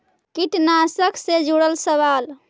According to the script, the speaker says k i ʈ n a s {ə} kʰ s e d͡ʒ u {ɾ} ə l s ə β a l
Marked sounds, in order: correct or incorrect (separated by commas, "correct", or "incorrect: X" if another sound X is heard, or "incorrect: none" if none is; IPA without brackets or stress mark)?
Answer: correct, incorrect: ɽ